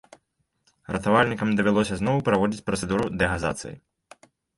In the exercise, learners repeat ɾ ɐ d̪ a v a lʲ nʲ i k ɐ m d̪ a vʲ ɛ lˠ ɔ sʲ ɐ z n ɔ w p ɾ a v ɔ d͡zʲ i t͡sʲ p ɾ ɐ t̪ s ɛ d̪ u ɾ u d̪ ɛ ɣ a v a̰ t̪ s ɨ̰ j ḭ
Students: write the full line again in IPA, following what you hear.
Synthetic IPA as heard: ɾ ɐ t̪ a v a lʲ nʲ i k ɐ m d̪ ɐ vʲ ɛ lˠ ɔ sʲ ɐ z n ɔ w p ɾ a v ɔ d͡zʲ i t͡sʲ p ɾ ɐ t̪ s ɛ d̪ u ɾ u d̪ ɛ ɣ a z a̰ t̪ s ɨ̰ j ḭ